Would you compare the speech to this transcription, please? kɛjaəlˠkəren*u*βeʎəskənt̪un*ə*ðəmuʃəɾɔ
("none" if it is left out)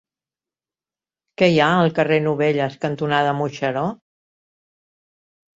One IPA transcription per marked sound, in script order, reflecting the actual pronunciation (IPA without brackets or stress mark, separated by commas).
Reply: u, a